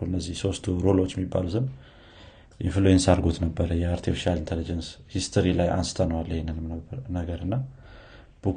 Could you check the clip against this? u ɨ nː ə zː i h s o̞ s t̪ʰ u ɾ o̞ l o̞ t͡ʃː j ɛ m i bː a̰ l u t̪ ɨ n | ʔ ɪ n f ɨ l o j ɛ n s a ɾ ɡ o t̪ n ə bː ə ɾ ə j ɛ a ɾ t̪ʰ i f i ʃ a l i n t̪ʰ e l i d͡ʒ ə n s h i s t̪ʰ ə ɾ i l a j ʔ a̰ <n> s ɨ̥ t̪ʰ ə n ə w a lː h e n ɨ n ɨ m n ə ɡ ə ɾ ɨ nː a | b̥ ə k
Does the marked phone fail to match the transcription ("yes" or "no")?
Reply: no